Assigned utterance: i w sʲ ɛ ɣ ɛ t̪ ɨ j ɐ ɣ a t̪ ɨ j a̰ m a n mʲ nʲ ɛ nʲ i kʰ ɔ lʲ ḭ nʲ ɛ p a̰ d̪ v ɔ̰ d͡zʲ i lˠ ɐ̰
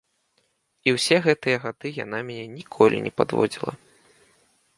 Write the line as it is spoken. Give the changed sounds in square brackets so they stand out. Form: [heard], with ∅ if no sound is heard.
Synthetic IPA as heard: i w sʲ ɛ ɣ ɛ t̪ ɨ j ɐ ɣ a [d̪] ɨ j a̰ [n] a [∅] mʲ nʲ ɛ nʲ i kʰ ɔ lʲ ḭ nʲ ɛ p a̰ d̪ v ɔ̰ d͡zʲ i lˠ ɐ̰